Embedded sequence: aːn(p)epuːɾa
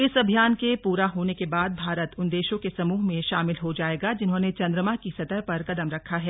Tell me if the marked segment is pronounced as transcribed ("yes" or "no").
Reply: no